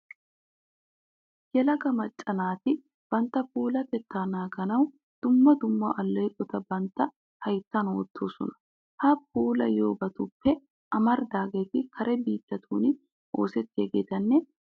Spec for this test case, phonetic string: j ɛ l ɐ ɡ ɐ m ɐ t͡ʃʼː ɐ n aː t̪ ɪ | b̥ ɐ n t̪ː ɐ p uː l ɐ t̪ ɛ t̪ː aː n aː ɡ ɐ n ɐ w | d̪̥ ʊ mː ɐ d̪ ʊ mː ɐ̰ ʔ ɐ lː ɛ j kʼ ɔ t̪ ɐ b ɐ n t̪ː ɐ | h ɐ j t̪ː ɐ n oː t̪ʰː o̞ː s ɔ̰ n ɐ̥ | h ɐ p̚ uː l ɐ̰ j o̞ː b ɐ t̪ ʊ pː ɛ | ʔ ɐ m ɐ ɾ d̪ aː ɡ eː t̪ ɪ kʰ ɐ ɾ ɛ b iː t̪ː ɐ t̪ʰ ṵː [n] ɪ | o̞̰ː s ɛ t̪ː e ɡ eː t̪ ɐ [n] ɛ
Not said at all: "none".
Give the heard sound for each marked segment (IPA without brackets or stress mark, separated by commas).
n, nː